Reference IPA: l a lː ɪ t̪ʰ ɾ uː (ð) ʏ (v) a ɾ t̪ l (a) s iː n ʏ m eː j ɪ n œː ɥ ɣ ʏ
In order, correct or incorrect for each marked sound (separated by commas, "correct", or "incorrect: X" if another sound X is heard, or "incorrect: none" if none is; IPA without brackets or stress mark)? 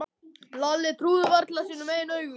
correct, correct, correct